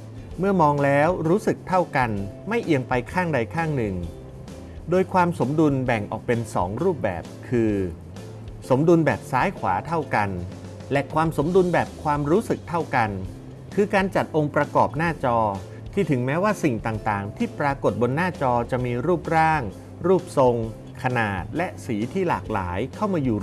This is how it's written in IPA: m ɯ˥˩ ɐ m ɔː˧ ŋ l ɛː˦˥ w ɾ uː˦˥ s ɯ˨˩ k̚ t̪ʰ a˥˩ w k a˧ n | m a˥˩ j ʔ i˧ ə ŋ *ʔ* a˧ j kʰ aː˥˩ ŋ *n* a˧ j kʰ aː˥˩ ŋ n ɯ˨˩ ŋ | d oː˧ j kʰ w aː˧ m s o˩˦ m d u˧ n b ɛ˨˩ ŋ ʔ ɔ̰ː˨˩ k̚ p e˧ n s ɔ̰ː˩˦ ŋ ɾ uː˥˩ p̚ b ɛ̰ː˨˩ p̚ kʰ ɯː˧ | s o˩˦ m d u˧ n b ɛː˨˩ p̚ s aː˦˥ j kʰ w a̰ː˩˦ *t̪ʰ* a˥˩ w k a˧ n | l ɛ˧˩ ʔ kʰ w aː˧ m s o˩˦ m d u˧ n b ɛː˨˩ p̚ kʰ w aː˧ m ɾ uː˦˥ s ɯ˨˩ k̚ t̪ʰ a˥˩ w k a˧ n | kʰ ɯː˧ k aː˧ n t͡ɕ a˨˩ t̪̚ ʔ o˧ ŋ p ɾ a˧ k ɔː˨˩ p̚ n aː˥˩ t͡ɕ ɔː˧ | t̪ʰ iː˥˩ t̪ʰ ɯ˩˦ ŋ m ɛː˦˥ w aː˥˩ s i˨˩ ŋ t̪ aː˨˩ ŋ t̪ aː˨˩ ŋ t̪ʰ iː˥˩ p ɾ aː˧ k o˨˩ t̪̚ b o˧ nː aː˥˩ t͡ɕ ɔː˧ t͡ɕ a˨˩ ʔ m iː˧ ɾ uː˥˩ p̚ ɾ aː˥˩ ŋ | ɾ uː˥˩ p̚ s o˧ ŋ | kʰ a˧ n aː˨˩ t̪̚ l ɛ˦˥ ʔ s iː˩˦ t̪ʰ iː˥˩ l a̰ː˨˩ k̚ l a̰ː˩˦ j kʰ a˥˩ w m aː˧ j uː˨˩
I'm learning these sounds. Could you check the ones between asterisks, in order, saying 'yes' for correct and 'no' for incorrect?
no, no, yes

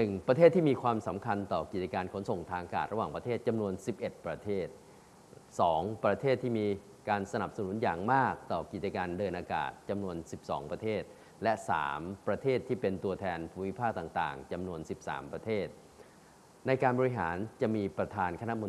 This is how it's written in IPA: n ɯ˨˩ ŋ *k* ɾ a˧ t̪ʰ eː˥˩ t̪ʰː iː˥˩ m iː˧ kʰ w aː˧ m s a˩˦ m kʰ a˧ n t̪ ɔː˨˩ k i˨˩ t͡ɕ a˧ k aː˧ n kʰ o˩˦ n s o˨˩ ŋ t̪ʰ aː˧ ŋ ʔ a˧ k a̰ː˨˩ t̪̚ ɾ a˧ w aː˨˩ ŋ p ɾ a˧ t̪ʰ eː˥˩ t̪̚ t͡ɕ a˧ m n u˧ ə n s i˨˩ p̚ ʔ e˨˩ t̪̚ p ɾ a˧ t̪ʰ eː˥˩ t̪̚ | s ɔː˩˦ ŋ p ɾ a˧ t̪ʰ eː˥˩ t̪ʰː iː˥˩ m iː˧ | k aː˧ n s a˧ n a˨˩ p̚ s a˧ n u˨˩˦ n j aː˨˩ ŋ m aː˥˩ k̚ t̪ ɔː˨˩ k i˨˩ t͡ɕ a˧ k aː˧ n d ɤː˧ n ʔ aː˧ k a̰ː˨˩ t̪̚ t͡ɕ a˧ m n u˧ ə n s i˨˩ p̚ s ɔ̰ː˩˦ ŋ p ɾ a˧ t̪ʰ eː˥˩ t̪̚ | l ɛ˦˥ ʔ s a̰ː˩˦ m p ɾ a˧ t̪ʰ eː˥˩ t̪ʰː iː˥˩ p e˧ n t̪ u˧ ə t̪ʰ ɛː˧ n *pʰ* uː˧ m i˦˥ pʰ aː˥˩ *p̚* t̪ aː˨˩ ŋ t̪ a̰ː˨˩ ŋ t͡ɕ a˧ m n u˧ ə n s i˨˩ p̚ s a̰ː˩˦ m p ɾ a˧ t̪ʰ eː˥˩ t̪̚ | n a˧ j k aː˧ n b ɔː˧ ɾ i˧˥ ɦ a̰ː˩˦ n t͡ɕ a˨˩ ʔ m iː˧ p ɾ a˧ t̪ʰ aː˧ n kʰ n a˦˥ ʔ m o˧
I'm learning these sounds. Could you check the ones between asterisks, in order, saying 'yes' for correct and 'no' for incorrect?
no, yes, no

